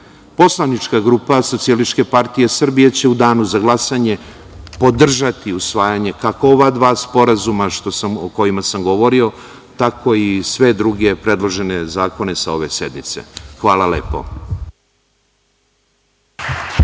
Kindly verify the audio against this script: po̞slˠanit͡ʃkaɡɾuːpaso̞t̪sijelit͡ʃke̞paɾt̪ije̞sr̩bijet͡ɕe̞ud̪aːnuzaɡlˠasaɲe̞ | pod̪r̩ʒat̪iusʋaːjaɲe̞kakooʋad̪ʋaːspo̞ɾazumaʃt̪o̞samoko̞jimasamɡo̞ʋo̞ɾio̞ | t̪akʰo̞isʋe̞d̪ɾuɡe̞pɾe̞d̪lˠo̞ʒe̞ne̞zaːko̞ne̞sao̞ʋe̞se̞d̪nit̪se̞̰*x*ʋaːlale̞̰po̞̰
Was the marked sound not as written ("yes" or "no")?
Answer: no